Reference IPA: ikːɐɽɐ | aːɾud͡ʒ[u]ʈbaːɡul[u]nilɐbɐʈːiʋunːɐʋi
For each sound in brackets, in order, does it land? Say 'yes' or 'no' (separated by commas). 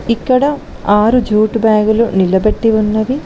no, yes